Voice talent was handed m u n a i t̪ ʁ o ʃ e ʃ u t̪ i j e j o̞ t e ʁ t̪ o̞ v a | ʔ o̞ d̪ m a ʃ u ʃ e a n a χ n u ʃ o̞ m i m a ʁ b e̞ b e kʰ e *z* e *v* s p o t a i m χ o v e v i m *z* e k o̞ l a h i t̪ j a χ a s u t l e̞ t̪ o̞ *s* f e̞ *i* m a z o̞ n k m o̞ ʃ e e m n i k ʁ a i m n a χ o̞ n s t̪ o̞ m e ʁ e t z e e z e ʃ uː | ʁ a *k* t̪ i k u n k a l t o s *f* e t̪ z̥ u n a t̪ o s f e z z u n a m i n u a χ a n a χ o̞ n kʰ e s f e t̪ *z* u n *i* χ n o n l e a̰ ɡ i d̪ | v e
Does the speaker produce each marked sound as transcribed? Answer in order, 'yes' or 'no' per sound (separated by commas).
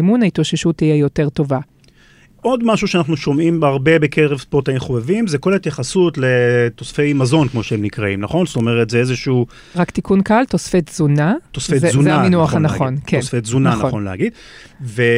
no, yes, yes, yes, no, yes, yes, yes, no